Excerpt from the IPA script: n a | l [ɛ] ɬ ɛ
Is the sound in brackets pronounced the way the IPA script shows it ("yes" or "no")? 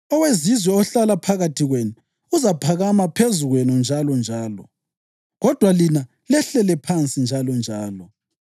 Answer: yes